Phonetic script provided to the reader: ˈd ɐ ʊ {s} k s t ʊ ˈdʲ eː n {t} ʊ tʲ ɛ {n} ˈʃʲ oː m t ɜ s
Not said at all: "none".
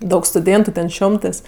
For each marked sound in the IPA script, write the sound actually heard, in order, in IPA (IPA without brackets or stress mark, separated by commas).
none, t, n